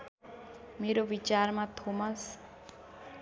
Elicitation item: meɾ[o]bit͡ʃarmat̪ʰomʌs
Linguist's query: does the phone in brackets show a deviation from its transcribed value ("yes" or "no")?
no